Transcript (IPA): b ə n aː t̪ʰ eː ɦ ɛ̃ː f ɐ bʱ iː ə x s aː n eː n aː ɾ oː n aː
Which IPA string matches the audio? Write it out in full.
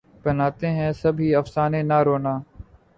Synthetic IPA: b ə n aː t̪ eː ɦ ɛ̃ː s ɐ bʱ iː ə f s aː n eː n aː ɾ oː n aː